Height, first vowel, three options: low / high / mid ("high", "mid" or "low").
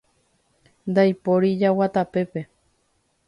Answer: low